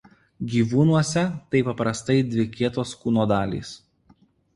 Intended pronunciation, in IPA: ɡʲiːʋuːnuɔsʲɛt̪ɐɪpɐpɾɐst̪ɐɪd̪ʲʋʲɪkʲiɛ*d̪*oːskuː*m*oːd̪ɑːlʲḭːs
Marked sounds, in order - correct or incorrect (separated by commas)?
incorrect, incorrect